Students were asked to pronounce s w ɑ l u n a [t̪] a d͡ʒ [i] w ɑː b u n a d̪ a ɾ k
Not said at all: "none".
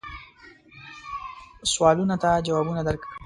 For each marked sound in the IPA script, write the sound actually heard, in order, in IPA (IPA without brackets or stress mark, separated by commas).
t̪, a